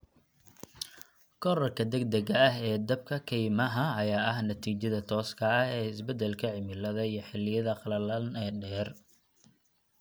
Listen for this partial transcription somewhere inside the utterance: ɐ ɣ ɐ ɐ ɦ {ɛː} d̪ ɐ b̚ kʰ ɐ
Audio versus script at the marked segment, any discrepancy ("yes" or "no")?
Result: no